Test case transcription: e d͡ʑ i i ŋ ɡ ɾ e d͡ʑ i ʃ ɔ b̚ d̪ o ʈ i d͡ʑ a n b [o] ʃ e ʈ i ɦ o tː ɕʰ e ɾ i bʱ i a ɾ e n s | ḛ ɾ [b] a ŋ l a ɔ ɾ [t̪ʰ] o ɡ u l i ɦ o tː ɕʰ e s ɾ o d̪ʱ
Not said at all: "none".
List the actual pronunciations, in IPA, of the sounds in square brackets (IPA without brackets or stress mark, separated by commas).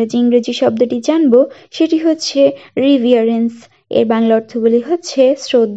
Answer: o, b, t̪ʰ